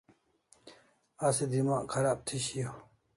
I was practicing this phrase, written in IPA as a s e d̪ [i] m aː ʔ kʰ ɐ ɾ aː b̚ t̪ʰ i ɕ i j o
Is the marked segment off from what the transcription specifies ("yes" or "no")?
no